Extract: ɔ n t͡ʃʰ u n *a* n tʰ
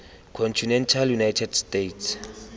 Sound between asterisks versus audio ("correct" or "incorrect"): incorrect